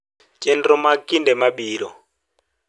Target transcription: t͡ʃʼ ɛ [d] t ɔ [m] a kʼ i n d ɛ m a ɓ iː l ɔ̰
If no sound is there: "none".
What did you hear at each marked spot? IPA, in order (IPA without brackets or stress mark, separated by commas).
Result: n, m